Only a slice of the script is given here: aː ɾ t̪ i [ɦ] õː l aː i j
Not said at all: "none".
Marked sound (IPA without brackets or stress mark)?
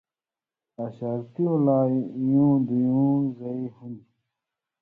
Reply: none